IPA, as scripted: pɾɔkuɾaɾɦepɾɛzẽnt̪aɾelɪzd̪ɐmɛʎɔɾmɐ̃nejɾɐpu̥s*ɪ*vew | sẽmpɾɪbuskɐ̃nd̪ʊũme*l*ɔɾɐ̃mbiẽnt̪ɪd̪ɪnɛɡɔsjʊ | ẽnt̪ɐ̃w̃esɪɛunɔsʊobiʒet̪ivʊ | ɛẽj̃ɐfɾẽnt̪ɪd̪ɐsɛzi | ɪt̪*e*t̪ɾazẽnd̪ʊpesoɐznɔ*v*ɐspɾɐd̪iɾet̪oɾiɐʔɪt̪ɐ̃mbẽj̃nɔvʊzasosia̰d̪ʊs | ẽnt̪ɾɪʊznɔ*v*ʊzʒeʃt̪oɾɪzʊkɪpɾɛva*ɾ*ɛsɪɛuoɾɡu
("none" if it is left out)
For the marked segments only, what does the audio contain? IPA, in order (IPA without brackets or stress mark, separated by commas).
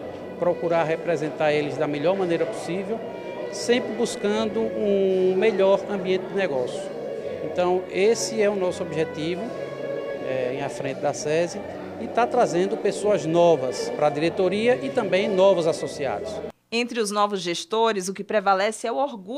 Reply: i, ʎ, a, v, v, l